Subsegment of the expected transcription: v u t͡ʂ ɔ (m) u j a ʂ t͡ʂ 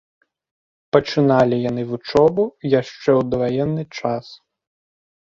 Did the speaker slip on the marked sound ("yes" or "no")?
yes